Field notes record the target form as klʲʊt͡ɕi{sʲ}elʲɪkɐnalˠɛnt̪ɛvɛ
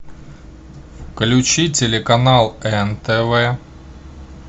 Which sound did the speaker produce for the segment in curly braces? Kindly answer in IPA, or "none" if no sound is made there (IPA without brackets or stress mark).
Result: tʲ